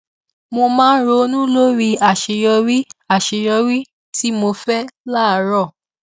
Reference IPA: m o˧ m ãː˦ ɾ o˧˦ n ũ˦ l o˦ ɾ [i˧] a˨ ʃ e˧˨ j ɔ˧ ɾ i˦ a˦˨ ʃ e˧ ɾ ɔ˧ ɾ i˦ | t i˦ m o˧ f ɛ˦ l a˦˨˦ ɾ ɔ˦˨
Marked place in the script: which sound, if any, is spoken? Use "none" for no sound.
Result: i˧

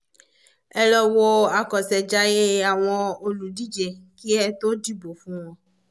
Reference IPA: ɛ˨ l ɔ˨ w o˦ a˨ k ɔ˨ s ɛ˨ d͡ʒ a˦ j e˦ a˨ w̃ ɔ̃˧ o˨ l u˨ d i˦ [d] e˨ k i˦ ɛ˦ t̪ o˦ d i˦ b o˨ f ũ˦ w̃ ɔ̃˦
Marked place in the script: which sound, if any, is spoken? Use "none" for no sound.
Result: d͡ʒ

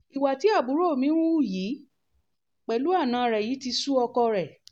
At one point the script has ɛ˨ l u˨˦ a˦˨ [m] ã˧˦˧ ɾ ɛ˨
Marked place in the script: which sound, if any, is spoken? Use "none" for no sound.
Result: n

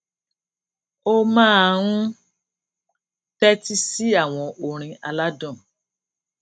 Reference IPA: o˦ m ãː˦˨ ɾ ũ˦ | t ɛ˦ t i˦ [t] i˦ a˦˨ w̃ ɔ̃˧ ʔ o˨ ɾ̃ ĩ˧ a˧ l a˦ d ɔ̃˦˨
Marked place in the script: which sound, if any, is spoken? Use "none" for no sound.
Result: s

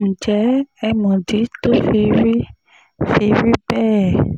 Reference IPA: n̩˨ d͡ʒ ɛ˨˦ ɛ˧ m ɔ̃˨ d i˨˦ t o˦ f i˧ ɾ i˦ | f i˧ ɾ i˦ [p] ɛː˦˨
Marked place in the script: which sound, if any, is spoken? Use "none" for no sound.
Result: b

